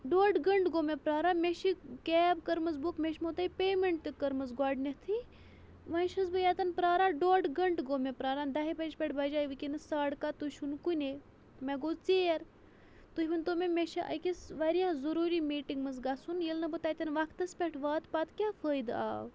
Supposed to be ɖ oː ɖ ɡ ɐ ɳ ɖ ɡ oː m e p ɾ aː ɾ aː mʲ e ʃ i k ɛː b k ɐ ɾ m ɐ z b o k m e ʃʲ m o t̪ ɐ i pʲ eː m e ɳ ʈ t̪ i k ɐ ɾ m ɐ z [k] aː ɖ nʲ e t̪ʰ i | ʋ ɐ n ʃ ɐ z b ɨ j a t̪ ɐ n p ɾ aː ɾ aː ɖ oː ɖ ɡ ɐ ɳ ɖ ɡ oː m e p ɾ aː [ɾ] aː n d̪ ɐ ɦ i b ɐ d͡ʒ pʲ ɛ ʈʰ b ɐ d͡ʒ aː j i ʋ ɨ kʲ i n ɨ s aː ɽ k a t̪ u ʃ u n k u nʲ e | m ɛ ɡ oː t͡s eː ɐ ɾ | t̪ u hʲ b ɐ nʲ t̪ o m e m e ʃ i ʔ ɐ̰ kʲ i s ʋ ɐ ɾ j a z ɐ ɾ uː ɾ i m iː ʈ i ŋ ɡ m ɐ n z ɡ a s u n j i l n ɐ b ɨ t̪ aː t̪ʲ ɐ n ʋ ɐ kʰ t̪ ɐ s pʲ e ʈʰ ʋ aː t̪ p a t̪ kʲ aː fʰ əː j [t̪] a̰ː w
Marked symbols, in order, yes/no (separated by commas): no, yes, no